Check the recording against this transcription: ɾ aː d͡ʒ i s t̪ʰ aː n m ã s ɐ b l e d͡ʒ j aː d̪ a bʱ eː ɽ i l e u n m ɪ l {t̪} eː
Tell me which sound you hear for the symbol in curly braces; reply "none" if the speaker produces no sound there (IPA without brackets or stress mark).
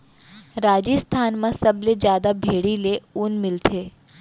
t̪ʰ